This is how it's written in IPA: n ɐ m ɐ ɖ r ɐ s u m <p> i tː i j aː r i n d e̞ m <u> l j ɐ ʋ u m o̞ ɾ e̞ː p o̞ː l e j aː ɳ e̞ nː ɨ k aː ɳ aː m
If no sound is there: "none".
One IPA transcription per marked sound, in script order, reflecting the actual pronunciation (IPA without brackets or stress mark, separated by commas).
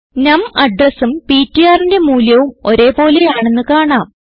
p, uː